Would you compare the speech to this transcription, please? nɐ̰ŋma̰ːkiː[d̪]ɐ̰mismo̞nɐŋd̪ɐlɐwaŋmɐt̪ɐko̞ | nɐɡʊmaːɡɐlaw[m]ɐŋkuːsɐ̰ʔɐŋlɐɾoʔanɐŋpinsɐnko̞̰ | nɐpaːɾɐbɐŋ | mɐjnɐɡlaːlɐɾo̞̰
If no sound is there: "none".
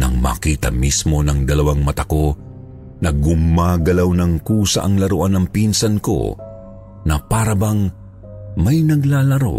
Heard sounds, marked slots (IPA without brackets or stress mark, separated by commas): t̪, n